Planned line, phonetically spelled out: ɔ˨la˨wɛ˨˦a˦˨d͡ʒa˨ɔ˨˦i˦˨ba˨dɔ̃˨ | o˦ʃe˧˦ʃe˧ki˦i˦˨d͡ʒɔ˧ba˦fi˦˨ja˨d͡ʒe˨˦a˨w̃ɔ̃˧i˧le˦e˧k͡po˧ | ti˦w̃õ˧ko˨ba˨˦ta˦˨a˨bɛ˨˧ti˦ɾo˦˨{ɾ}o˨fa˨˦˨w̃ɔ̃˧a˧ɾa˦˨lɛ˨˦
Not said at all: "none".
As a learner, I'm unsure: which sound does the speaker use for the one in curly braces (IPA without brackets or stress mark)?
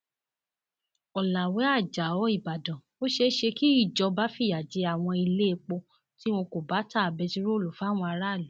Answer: l